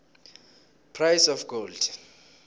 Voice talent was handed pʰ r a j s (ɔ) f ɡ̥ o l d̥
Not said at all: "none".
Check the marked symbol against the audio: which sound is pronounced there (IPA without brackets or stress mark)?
ɔ